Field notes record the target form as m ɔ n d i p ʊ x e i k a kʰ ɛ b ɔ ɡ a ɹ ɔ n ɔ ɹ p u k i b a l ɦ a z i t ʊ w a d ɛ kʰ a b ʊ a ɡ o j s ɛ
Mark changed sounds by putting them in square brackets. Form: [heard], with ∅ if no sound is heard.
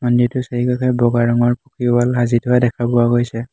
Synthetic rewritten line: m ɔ n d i [t] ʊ [s] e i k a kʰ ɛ b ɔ ɡ a ɹ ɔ [ŋ] ɔ ɹ p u k i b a l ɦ a z i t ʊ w a d ɛ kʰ a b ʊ a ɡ o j s ɛ